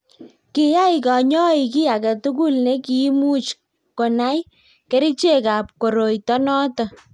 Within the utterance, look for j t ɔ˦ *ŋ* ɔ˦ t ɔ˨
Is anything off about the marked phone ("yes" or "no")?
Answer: yes